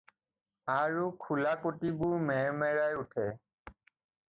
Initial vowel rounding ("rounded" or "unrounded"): unrounded